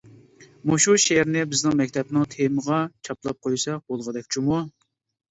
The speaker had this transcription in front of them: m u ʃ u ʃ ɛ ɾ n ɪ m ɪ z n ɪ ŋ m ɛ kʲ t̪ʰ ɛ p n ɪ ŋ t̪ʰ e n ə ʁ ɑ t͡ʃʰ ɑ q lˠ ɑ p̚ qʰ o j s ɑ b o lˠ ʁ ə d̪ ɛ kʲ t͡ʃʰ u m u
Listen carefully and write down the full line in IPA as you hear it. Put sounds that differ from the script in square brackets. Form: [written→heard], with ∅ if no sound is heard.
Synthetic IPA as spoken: m u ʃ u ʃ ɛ ɾ n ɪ [m→b] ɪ z n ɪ ŋ m ɛ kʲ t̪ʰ ɛ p n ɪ ŋ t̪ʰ e [n→m] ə ʁ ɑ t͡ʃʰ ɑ [q→p] lˠ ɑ p̚ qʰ o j s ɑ b o lˠ ʁ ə d̪ ɛ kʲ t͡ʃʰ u m u